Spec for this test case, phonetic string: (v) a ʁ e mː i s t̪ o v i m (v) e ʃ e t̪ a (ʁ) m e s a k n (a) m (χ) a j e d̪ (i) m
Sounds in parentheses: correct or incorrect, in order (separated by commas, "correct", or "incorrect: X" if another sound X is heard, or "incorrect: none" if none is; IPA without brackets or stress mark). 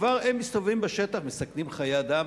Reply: correct, incorrect: b, incorrect: χ, incorrect: i, correct, incorrect: a